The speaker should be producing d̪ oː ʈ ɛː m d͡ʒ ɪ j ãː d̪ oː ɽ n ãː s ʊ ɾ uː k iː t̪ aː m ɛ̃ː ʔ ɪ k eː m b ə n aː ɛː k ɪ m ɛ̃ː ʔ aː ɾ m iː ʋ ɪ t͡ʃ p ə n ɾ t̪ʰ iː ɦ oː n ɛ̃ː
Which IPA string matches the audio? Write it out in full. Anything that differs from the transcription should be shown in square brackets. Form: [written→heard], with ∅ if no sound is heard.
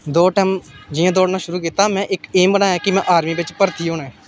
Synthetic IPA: d̪ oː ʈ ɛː m d͡ʒ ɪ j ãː d̪ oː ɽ n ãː [s→ʃ] ʊ ɾ uː k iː t̪ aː m ɛ̃ː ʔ ɪ k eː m b ə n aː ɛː k ɪ m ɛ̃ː ʔ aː ɾ m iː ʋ ɪ t͡ʃ p ə [n→∅] ɾ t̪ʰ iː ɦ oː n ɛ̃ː